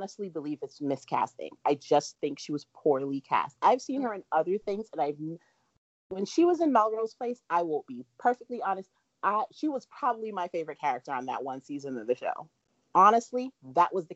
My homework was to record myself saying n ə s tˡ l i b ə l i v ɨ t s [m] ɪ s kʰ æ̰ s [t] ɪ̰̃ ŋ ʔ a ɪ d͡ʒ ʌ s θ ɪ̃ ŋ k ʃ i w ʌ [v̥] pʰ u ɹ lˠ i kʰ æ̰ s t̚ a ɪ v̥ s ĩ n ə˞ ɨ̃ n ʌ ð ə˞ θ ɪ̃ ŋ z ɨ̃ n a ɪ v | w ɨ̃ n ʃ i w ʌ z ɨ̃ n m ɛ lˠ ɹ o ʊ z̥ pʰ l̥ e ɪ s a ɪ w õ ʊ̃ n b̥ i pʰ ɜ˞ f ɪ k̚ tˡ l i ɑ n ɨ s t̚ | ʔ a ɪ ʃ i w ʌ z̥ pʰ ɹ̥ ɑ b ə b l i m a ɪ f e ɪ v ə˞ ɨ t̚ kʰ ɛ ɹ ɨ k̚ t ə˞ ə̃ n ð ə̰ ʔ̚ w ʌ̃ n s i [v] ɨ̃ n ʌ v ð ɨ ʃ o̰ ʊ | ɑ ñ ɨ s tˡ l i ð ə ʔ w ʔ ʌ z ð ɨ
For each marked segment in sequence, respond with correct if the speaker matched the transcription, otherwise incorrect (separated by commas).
correct, correct, incorrect, incorrect